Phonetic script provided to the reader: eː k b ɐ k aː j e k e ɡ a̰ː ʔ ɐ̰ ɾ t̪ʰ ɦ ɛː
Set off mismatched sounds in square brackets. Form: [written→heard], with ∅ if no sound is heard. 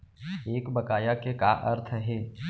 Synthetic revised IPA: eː k b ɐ k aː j [e→a] k e [ɡ→k] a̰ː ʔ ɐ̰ ɾ t̪ʰ ɦ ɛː